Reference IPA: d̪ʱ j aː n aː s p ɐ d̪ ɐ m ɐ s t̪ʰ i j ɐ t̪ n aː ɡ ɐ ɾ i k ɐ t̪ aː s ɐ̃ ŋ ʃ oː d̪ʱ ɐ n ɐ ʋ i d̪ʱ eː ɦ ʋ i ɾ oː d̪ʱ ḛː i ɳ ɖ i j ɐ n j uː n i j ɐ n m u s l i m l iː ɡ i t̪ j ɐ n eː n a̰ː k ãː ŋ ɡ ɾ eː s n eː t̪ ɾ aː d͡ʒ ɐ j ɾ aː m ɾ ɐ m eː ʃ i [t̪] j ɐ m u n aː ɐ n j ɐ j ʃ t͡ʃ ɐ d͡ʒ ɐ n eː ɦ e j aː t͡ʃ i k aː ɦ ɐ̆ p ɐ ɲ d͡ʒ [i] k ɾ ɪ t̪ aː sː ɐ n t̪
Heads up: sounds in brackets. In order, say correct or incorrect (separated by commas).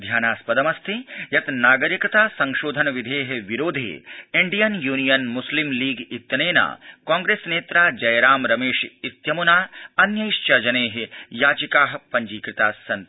correct, incorrect